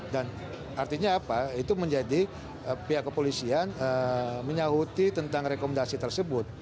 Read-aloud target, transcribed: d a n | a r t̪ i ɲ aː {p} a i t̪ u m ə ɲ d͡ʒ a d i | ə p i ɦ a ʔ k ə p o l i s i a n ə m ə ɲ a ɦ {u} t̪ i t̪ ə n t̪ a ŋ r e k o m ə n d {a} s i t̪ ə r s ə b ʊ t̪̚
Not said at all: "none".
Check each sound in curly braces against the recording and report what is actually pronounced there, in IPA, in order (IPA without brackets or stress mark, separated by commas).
p, u, a